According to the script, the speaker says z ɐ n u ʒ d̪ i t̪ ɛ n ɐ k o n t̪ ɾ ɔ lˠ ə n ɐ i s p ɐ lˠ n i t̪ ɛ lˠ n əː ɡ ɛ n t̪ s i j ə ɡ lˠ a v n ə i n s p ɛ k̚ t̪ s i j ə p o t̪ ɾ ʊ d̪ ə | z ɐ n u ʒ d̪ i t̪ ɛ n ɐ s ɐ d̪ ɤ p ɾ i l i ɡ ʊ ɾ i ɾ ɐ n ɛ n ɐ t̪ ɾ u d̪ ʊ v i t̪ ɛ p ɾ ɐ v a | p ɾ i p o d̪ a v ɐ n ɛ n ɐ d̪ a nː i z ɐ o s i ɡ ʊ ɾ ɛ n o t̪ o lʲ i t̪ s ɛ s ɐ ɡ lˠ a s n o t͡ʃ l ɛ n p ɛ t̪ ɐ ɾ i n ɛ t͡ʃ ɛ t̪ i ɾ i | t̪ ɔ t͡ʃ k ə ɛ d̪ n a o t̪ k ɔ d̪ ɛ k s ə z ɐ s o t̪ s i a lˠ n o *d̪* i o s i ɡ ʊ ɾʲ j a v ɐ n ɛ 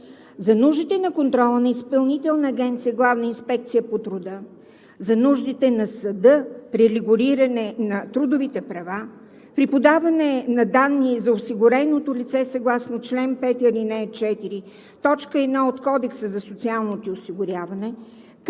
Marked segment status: incorrect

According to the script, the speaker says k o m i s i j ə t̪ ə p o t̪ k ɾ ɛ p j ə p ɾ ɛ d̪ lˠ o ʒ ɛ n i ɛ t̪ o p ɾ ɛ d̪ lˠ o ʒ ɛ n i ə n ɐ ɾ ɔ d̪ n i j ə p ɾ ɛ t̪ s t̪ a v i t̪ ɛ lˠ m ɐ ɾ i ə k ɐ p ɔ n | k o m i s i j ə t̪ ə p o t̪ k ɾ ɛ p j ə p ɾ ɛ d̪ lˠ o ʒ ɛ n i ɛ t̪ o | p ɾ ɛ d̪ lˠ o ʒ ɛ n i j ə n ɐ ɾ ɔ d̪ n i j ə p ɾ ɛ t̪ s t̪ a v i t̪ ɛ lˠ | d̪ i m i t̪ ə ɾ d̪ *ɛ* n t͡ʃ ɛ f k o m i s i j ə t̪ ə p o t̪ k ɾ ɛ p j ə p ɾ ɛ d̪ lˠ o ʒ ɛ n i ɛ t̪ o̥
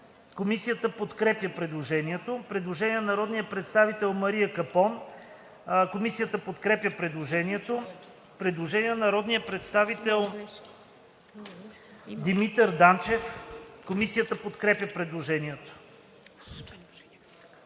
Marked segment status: incorrect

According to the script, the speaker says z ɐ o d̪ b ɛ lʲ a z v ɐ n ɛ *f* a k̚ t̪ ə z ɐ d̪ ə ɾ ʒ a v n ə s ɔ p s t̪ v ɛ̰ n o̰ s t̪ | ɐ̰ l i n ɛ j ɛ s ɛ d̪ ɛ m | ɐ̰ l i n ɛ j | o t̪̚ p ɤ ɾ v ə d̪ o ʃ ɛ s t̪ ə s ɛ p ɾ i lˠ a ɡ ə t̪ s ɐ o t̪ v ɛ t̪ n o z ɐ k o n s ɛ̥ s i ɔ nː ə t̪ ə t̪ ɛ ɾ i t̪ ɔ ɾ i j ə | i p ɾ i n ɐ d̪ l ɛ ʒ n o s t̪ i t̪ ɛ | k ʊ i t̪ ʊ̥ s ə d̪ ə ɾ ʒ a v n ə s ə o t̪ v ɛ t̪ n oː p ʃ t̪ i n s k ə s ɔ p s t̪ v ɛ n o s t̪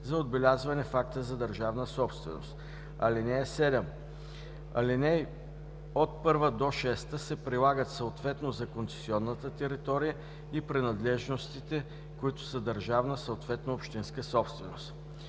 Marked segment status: correct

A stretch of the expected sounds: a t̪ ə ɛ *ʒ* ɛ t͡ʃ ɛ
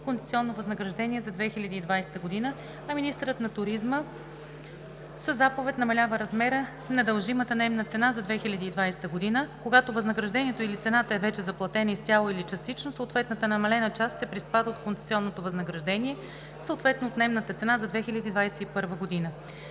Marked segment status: incorrect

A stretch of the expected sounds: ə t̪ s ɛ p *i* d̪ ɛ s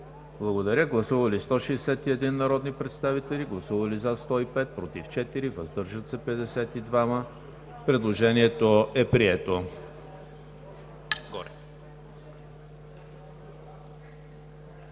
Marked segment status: incorrect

